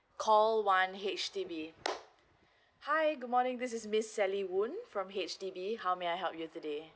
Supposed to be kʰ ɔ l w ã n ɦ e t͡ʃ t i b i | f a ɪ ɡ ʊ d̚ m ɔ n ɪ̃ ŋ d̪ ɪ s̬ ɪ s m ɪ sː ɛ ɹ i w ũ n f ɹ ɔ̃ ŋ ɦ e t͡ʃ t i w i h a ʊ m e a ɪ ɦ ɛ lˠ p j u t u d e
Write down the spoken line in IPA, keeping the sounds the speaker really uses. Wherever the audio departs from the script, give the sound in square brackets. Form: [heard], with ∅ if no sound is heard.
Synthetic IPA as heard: kʰ ɔ l w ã n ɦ e t͡ʃ t i b i | [h] a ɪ ɡ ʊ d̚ m ɔ n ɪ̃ ŋ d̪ ɪ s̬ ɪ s m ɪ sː ɛ [l] i w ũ n f ɹ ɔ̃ [m] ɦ e t͡ʃ t i [b] i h a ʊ m e a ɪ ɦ ɛ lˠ p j u t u d e